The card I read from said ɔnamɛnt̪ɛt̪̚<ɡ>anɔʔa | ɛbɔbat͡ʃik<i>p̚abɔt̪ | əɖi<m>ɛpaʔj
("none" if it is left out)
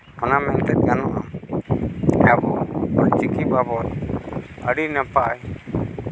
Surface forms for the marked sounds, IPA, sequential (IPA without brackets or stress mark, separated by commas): ɡ, i, n